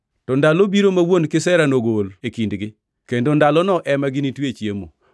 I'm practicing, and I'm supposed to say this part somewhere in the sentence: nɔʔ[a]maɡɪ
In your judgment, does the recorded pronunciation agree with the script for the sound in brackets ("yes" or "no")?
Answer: no